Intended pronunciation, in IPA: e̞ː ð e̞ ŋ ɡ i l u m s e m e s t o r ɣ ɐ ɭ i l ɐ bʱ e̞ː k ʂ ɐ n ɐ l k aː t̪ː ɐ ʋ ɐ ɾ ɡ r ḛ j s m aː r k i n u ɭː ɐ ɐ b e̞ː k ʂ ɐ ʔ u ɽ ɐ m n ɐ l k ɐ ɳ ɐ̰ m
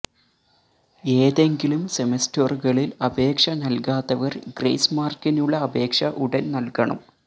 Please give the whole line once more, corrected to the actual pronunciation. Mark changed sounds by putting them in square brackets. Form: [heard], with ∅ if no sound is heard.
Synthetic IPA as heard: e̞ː ð e̞ ŋ ɡ i l u m s e m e s t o r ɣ ɐ ɭ i l ɐ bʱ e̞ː k ʂ ɐ n ɐ l k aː t̪ː ɐ ʋ ɐ [r] ɡ r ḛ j s m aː r k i n u ɭː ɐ ɐ b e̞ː k ʂ ɐ ʔ u ɽ ɐ [n] n ɐ l k ɐ ɳ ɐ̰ m

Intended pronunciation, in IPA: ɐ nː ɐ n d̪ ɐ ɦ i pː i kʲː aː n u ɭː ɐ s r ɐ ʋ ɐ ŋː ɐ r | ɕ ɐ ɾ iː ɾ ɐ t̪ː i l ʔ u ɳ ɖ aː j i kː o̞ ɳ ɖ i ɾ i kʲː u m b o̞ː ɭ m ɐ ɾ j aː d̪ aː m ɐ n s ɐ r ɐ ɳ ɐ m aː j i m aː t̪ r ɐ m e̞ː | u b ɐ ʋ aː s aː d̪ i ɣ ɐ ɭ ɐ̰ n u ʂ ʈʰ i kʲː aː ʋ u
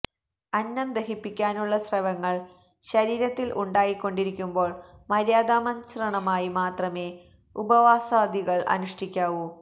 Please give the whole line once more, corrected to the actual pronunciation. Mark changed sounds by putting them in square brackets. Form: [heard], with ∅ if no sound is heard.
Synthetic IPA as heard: ɐ nː ɐ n d̪ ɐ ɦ i pː i kʲː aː n u ɭː ɐ s r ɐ ʋ ɐ ŋː ɐ [ɭ] | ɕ ɐ ɾ iː ɾ ɐ t̪ː i l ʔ u ɳ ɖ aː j i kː o̞ ɳ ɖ i ɾ i kʲː u m b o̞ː ɭ m ɐ ɾ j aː d̪ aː m ɐ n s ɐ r ɐ ɳ ɐ m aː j i m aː t̪ r ɐ m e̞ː | u b ɐ ʋ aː s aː d̪ i ɣ ɐ ɭ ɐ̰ n u ʂ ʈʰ i kʲː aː ʋ u

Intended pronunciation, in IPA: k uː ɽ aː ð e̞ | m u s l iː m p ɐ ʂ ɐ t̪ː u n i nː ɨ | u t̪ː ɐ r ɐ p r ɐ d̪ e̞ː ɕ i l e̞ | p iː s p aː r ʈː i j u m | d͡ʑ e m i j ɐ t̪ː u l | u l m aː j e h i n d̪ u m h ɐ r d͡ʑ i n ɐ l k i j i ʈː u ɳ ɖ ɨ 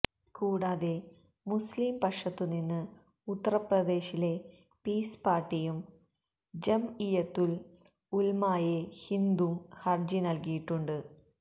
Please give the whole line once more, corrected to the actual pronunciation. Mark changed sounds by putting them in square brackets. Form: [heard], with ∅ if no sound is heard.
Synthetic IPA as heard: k uː ɽ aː ð e̞ | m u s l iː m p ɐ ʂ ɐ t̪ː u n i nː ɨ | u t̪ː ɐ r ɐ p r ɐ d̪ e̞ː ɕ i l e̞ | p iː s p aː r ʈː i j u m | d͡ʑ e m i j ɐ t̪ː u l | u l m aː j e h i n d̪ u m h ɐ r d͡ʑ i n ɐ l k i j i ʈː u ɳ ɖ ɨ

